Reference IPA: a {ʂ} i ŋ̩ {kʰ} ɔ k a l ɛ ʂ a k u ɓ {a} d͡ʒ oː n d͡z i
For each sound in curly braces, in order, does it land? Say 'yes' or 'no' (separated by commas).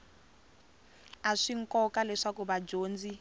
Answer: yes, no, yes